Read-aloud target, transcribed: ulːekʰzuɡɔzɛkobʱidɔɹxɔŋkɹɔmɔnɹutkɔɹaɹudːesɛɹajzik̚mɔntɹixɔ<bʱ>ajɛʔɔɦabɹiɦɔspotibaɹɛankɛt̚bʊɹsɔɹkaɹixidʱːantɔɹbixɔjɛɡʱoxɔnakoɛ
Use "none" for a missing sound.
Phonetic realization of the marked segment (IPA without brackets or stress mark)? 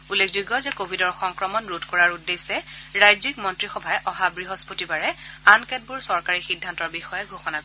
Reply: bʱ